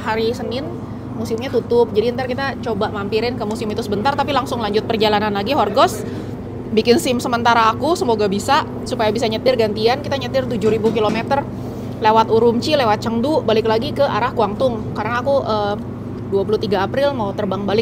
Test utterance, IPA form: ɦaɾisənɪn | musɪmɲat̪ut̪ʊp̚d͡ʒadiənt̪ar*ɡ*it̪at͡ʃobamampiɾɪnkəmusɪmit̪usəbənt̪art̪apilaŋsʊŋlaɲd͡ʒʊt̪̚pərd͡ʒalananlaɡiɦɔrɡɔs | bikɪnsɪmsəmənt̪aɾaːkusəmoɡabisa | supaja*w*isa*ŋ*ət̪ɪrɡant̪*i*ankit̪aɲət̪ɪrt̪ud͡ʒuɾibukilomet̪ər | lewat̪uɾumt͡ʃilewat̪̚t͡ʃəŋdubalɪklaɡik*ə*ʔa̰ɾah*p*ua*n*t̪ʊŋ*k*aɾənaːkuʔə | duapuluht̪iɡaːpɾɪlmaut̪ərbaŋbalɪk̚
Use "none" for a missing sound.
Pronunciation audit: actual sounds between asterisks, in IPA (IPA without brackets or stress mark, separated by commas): k, b, ɲ, i, ə, k, ŋ, k